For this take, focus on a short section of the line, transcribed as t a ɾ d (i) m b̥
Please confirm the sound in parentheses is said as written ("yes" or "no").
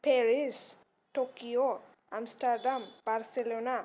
no